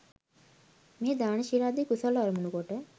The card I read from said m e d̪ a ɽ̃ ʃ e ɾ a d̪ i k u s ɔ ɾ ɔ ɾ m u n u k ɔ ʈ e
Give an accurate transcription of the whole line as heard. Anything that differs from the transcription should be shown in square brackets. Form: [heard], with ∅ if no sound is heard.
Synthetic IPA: m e d̪ a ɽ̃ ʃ [i] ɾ a d̪ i k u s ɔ [l] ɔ ɾ m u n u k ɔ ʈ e